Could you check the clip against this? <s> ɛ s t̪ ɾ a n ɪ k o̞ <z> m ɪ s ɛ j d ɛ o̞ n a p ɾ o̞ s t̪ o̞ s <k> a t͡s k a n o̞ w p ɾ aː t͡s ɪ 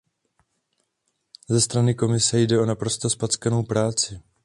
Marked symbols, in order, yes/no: no, no, no

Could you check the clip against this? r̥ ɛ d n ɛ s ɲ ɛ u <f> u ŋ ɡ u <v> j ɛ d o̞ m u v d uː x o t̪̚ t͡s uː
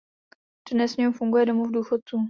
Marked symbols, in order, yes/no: yes, no

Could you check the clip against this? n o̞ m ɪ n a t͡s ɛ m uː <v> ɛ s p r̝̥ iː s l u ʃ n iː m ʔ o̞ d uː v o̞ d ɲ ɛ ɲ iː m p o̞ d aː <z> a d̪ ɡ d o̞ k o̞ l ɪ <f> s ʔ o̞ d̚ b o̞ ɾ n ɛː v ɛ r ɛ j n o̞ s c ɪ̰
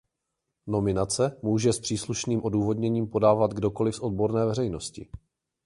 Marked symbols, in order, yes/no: no, no, yes

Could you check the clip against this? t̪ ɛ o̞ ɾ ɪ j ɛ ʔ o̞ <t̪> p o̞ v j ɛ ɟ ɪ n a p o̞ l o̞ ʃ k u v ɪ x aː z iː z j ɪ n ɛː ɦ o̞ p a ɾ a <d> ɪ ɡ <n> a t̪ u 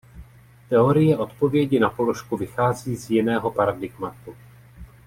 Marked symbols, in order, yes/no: yes, yes, no

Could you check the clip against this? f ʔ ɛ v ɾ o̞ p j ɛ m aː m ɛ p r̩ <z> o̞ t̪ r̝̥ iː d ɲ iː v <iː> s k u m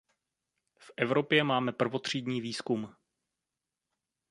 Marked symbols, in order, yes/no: no, yes

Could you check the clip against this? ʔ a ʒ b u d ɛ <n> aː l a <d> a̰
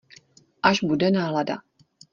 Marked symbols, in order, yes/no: yes, yes

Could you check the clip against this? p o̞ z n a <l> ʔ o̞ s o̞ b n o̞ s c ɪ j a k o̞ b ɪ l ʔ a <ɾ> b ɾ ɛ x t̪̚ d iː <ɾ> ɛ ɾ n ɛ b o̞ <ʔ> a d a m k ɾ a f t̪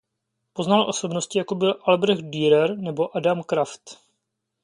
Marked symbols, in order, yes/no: yes, no, yes, yes

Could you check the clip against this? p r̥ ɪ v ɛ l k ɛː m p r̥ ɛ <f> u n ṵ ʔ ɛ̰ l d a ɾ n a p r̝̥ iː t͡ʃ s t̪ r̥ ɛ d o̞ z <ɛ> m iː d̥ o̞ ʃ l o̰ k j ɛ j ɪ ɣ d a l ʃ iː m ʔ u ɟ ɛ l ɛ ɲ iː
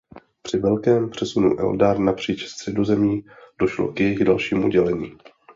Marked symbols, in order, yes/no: no, yes

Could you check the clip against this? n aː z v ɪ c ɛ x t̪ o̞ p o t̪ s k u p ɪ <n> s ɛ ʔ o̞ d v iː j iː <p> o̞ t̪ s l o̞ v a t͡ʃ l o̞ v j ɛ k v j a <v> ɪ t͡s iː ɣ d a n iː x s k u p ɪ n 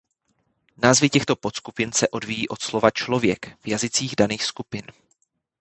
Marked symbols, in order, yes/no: yes, no, no

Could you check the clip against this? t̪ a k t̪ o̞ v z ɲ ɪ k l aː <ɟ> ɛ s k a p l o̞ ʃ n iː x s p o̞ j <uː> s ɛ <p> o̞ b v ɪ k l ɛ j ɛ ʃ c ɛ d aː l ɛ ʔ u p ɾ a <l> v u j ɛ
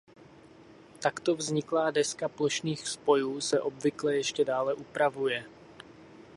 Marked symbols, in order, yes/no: no, yes, no, no

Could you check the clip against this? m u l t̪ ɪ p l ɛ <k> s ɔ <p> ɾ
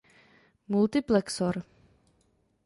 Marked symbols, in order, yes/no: yes, no

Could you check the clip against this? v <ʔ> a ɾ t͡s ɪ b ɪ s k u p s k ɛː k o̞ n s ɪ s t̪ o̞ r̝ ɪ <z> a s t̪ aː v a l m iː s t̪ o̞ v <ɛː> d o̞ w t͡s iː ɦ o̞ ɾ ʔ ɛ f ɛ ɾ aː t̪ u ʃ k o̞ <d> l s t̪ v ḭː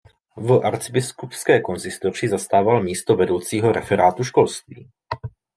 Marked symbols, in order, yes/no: yes, yes, no, no

